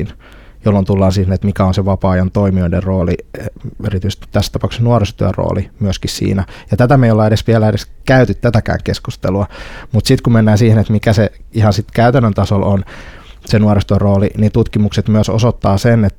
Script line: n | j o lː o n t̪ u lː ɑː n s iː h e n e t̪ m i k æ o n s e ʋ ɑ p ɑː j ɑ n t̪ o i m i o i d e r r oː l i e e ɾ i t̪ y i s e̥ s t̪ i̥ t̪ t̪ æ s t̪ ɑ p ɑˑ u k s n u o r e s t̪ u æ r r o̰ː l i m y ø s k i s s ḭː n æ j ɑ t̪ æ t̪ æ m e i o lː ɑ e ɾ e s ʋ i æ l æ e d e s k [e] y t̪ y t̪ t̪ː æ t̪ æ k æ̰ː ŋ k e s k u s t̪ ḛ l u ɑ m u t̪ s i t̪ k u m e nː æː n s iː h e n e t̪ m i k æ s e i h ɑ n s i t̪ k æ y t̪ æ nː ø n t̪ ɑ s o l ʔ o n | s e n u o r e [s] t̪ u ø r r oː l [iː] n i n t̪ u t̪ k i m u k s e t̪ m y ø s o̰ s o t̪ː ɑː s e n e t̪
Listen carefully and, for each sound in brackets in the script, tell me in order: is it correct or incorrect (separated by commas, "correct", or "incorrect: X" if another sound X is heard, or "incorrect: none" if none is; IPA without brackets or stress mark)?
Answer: incorrect: æ, correct, incorrect: i